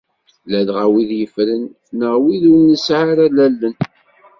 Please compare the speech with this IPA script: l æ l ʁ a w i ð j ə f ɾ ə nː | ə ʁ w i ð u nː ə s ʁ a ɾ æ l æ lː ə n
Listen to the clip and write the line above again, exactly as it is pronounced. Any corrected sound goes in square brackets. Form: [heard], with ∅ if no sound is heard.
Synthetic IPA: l æ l ʁ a w i ð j ə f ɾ ə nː | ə ʁ w i ð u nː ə s [ʕ] a ɾ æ l æ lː ə n